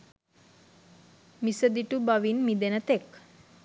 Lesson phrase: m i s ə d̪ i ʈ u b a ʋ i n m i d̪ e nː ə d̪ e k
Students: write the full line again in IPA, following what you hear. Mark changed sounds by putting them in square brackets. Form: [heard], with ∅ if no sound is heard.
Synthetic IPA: m i s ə d̪ i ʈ u b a ʋ i n m i d̪ e [n] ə [t̪] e k